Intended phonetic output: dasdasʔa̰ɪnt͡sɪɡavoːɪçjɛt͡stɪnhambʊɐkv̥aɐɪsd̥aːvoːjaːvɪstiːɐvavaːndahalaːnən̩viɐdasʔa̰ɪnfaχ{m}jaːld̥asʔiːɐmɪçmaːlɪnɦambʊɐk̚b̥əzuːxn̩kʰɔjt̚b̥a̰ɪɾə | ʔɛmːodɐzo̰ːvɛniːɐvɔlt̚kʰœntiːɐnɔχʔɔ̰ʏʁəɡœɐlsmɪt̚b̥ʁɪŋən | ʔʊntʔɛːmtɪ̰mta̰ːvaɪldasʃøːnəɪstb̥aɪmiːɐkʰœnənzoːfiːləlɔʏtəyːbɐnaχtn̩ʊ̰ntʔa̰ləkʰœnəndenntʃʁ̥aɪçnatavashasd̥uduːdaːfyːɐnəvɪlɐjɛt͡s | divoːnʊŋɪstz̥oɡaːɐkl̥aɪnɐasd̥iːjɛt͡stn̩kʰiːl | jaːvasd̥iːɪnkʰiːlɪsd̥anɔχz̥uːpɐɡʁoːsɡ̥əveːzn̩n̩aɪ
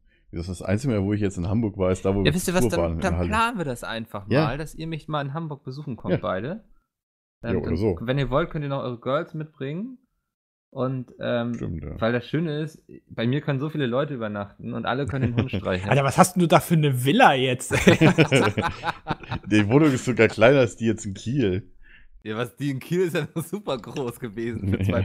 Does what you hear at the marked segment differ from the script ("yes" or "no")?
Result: no